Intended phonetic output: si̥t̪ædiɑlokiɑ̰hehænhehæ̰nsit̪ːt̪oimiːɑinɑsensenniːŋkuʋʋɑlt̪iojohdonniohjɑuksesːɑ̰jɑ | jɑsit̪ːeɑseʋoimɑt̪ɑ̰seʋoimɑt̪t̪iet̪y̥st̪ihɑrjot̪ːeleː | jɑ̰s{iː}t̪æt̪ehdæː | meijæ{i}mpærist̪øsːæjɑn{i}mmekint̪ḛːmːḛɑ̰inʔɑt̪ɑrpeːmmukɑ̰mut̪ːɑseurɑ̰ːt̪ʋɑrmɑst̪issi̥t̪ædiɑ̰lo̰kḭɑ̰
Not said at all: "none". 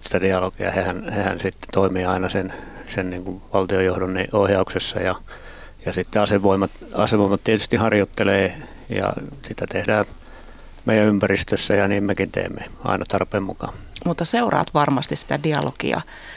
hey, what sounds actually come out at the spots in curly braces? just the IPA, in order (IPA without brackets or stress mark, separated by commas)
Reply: i, y, iː